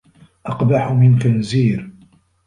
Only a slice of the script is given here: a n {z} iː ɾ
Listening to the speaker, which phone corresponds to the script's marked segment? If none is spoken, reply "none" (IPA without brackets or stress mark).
z